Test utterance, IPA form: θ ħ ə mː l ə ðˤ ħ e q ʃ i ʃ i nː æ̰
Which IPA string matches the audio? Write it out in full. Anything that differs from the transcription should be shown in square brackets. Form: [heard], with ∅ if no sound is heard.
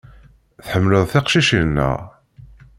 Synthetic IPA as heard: θ ħ ə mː l ə ðˤ [θ] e q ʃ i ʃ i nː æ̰